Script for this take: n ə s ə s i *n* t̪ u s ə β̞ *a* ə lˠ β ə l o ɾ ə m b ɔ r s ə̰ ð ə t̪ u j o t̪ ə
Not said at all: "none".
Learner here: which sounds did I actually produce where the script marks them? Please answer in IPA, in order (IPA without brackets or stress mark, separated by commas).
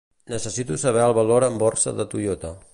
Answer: none, ɛ